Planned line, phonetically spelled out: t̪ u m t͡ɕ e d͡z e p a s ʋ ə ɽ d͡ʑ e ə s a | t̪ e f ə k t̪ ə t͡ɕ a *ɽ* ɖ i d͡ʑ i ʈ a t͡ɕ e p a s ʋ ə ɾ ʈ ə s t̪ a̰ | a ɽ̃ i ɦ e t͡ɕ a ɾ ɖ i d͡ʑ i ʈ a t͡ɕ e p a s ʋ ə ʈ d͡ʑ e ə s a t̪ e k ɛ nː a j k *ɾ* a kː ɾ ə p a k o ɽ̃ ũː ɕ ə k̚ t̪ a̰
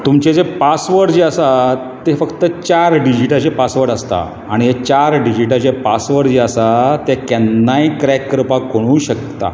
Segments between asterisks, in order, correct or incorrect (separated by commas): incorrect, correct